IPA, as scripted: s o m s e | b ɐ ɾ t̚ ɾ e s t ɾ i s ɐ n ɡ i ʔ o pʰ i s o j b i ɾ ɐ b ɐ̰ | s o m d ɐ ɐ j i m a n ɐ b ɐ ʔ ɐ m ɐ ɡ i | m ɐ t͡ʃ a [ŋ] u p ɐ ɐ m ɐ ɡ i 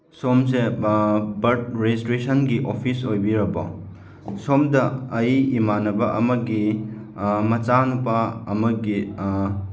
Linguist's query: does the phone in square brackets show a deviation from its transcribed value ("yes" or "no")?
yes